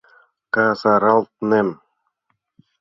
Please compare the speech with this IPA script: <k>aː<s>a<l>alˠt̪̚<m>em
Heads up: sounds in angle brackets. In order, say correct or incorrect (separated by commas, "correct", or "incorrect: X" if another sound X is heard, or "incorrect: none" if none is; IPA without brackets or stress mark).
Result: correct, correct, incorrect: ɾ, incorrect: n